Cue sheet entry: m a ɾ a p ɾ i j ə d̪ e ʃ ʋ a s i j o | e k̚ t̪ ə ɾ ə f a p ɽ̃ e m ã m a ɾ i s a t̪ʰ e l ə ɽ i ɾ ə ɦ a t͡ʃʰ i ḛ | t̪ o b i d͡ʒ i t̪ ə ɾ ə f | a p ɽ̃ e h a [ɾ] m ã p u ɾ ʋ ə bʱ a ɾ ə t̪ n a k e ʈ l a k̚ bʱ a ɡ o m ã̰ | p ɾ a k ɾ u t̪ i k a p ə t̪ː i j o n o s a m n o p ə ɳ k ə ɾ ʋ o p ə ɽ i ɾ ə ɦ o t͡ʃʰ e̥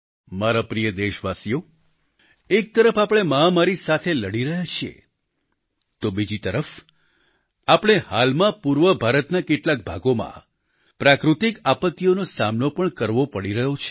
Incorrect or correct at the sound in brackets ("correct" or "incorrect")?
incorrect